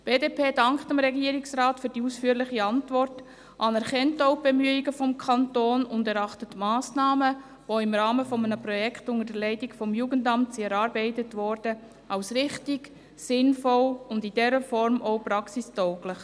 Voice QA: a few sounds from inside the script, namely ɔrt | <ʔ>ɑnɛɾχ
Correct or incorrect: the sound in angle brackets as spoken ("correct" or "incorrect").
correct